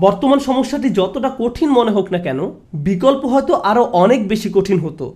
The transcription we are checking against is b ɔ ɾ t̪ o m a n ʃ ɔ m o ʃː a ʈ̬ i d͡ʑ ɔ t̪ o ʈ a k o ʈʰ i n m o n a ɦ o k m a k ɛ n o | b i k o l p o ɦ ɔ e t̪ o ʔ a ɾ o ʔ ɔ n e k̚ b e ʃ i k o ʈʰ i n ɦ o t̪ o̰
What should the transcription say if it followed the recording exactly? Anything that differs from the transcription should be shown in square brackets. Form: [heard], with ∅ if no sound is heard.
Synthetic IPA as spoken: b ɔ ɾ t̪ o m a n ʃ ɔ m o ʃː a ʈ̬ i d͡ʑ ɔ t̪ o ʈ a k o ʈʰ i n m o n [e] ɦ o k [n] a k ɛ n o | b i k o l p o ɦ ɔ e t̪ o ʔ a ɾ o ʔ ɔ n e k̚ b e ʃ i k o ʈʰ i n ɦ o t̪ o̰